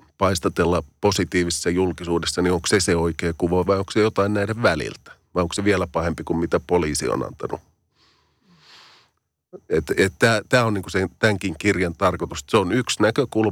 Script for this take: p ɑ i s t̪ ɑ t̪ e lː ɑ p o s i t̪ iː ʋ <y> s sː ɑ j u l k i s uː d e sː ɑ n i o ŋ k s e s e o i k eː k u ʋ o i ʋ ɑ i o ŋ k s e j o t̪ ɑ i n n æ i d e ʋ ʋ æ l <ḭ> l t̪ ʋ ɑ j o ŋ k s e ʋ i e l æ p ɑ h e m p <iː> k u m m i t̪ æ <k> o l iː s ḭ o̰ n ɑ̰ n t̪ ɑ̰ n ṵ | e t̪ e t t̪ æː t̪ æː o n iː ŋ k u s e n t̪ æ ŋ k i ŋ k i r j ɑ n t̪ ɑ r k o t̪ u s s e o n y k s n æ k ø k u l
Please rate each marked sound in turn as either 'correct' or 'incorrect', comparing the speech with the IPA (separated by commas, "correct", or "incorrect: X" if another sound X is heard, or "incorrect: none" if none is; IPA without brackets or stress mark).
incorrect: i, correct, incorrect: i, incorrect: p